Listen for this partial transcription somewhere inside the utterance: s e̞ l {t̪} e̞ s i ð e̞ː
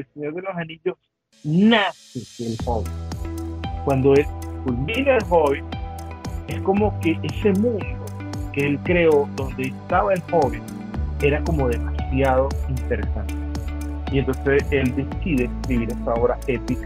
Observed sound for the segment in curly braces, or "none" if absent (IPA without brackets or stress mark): d̪